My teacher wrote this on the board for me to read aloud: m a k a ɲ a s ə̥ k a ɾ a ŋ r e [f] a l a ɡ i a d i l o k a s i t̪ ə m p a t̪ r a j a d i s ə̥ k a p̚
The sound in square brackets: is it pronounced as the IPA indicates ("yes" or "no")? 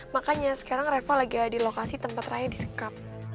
yes